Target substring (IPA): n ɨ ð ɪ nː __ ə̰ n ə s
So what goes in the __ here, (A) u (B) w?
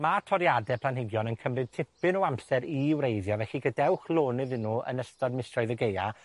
A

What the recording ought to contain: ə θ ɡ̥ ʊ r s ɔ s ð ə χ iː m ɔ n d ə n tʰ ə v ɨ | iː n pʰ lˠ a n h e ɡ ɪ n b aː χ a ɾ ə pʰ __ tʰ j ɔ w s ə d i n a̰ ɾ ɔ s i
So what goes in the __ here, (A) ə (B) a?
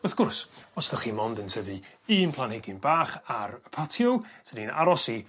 B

